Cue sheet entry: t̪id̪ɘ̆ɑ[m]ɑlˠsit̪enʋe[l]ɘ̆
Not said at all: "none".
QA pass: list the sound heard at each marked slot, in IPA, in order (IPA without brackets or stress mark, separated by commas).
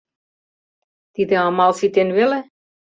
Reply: m, l